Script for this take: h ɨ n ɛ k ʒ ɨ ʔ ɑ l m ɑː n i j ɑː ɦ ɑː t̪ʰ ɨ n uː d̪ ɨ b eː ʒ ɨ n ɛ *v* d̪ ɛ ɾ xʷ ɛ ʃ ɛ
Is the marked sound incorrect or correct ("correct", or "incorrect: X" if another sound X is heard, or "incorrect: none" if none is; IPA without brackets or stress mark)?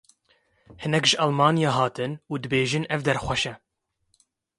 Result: correct